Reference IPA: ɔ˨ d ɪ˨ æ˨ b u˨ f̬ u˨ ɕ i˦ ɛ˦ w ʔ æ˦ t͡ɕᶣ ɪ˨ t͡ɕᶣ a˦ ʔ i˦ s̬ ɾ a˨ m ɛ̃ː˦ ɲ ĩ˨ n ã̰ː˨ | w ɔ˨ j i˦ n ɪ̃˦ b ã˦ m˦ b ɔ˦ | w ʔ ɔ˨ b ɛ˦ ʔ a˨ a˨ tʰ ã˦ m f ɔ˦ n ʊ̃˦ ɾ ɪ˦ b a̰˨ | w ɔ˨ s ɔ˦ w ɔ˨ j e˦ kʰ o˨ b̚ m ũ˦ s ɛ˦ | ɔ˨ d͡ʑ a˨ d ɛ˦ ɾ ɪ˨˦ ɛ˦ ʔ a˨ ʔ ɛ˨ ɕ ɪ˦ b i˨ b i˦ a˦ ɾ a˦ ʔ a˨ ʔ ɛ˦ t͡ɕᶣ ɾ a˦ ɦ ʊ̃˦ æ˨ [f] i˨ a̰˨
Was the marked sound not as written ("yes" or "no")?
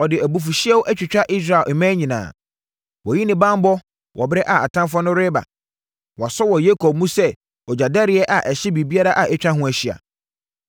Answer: yes